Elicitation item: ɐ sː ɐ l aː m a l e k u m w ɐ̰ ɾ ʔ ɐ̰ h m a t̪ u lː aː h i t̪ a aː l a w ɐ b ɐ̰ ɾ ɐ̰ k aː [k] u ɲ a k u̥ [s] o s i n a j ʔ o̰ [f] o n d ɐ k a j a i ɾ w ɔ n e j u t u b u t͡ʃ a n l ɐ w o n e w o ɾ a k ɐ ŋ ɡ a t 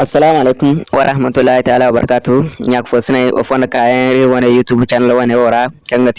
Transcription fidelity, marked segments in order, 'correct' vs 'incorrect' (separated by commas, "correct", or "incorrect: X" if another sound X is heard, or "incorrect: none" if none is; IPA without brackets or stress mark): incorrect: t, incorrect: f, correct